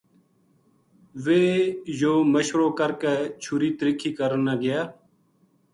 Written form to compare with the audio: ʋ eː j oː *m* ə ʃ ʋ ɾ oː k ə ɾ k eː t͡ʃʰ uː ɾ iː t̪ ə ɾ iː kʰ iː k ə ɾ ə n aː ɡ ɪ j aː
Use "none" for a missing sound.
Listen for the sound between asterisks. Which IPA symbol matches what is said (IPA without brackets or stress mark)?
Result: m